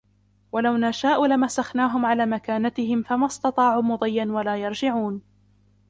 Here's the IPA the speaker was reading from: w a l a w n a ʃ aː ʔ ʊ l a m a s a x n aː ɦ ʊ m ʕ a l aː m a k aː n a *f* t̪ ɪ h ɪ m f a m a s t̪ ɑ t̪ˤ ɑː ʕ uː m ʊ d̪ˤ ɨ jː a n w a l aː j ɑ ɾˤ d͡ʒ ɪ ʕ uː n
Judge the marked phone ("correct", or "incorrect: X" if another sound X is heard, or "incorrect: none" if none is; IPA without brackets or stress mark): incorrect: none